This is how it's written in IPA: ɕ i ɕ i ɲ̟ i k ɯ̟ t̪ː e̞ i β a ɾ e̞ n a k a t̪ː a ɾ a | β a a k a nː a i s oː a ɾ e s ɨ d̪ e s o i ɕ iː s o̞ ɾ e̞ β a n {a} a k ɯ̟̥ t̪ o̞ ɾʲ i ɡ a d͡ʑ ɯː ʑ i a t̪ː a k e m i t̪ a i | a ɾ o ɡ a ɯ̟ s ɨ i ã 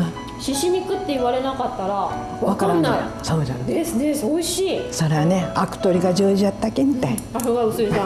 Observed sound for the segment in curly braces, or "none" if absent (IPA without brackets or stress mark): e